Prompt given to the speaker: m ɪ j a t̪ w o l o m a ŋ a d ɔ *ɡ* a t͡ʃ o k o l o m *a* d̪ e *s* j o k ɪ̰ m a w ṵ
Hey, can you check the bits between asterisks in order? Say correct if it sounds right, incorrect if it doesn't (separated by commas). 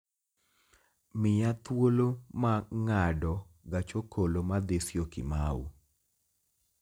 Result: correct, correct, correct